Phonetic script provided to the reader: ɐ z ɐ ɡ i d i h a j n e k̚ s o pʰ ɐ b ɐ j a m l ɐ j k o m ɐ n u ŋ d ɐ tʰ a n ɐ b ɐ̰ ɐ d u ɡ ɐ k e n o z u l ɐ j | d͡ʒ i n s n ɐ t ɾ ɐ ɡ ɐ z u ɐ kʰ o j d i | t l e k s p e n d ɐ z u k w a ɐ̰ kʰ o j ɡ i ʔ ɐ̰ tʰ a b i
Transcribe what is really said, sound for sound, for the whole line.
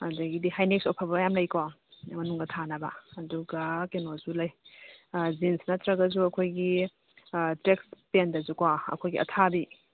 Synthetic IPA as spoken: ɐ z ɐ ɡ i d i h a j n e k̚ s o pʰ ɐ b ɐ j a m l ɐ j k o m ɐ n u ŋ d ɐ tʰ a n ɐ b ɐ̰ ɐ d u ɡ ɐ k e n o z u l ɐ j | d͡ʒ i n s n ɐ t ɾ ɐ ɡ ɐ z u ɐ kʰ o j ɡ i | t ɾ e k s p e n d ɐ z u k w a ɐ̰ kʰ o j ɡ i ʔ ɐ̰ tʰ a b i